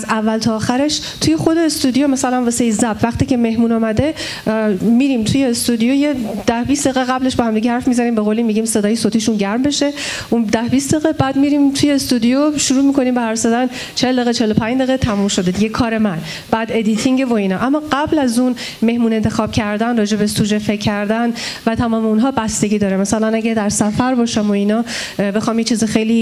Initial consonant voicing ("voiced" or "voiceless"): voiced